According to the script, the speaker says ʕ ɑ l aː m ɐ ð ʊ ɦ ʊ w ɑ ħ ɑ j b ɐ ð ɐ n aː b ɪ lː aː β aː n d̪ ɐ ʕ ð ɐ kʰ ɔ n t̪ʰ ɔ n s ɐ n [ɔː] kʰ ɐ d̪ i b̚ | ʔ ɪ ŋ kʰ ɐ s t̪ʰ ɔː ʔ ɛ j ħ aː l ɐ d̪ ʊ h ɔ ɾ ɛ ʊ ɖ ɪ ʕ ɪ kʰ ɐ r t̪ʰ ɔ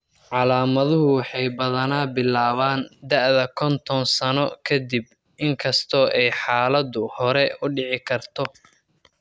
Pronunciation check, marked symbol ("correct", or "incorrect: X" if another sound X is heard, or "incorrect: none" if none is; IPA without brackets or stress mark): incorrect: ɔ